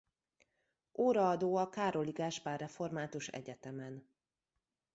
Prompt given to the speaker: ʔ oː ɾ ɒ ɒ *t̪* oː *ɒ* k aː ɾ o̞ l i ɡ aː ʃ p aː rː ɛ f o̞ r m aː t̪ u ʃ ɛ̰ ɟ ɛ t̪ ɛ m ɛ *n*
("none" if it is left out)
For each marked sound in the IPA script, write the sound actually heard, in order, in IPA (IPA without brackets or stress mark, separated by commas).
d̪, ɒ, n